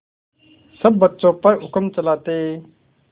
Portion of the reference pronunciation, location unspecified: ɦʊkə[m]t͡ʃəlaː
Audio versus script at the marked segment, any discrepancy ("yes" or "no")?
no